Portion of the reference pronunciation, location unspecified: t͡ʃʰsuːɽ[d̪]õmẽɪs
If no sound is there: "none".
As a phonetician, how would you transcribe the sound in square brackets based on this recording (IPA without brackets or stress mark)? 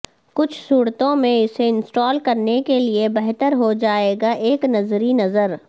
t̪